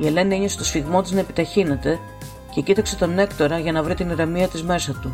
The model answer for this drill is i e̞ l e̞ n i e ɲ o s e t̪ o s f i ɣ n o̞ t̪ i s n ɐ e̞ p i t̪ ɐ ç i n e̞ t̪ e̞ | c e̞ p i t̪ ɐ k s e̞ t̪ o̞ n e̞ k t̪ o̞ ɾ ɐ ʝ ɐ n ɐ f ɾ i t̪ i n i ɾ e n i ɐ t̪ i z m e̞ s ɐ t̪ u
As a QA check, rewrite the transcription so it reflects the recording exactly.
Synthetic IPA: i e̞ l e̞ n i e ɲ o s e t̪ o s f i ɣ m o̞ t̪ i z n ɐ e̞ p i t̪ ɐ ç i n e̞ t̪ e̞ | c e̞ c i t̪ ɐ k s e̞ t̪ o̞ n e̞ k t̪ o̞ ɾ ɐ ʝ ɐ n ɐ v ɾ i t̪ i n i ɾ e m i ɐ t̪ i z m e̞ s ɐ t̪ u